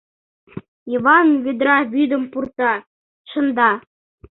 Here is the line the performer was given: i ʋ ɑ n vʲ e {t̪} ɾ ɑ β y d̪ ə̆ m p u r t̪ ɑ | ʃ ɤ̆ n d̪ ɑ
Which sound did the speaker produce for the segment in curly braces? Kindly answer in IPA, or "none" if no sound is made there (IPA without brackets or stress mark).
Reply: d̪